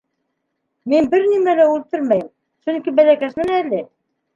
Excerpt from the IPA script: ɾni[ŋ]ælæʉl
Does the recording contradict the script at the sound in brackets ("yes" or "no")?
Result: yes